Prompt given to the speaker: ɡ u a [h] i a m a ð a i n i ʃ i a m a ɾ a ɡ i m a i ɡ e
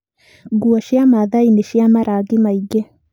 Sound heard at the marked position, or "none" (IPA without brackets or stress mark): ʃ